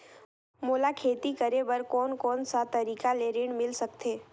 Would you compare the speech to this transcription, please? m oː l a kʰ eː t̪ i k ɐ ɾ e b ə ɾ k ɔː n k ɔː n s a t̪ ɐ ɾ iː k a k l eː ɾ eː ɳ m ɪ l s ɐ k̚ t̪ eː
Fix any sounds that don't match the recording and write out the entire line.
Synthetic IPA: m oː l a kʰ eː t̪ i k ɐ ɾ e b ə ɾ k ɔː n k ɔː n s a t̪ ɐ ɾ iː k a l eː ɾ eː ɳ m ɪ l s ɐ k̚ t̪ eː